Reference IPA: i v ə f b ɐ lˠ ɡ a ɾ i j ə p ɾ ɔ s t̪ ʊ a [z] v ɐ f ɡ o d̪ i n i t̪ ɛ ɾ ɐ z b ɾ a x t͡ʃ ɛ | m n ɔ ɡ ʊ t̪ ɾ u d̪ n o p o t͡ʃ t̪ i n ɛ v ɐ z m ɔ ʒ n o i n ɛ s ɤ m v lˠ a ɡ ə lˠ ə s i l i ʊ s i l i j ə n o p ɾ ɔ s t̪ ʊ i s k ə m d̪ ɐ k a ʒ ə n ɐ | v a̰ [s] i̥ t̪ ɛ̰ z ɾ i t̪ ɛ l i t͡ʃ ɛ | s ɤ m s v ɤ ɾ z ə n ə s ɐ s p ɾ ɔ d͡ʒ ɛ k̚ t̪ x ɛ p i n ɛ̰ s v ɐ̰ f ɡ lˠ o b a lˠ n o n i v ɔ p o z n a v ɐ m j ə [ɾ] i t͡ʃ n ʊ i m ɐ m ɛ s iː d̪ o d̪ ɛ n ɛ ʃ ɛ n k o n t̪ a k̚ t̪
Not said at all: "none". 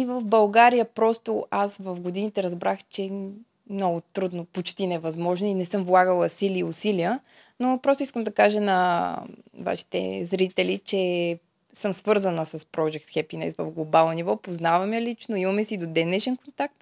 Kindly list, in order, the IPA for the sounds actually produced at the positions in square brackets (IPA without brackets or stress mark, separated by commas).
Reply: s, ʃ, l